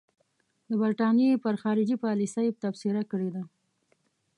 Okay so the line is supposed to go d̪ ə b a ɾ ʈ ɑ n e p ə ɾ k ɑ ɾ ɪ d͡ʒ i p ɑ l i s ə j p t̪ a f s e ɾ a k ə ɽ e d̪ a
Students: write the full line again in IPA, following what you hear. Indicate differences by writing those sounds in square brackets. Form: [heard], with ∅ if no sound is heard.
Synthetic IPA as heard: d̪ ə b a ɾ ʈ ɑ n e p ə ɾ [x] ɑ ɾ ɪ d͡ʒ i p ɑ l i s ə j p t̪ a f s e ɾ a k ə ɽ e d̪ a